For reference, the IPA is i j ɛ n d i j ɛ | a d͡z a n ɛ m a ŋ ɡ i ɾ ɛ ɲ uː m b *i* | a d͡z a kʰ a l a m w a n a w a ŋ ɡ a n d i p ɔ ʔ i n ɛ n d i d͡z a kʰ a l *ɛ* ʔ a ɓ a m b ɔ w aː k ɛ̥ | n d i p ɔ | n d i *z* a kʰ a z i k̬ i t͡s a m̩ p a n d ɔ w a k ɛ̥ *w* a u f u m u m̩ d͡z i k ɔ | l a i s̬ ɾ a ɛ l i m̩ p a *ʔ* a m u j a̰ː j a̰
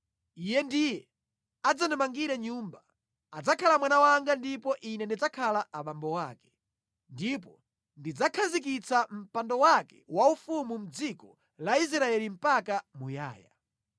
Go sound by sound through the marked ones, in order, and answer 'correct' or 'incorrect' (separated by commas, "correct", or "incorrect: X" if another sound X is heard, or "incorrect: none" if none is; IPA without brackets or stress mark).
incorrect: a, incorrect: a, incorrect: d͡z, correct, incorrect: k